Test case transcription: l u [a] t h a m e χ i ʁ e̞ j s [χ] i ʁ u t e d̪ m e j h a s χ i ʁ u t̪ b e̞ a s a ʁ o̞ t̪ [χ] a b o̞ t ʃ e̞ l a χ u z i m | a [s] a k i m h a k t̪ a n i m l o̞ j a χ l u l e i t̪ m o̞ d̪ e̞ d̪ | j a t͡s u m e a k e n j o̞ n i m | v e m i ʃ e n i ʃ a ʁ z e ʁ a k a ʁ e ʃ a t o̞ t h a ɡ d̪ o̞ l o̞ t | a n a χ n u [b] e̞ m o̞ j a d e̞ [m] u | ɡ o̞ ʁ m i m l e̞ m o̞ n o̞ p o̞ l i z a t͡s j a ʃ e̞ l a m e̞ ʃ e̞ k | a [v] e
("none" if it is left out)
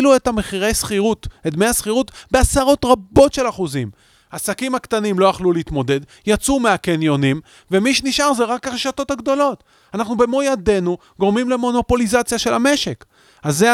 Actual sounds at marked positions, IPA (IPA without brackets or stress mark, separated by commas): e, χ, ʁ, s, b, n, z